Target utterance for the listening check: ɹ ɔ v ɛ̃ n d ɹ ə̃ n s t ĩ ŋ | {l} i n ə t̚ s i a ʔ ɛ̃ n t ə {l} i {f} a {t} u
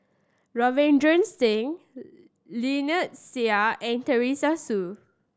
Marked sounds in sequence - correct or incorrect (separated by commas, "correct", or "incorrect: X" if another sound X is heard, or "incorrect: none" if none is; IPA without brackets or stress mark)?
correct, incorrect: ɹ, incorrect: s, incorrect: s